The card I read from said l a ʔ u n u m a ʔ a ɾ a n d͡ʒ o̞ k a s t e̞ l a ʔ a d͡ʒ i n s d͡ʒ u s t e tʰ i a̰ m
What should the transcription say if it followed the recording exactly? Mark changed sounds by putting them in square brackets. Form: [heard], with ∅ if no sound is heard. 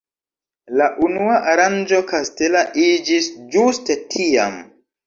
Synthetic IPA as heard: l a ʔ u n u [∅] a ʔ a ɾ a n d͡ʒ o̞ k a s t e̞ l a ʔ [i] d͡ʒ i [∅] s d͡ʒ u s t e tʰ i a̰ m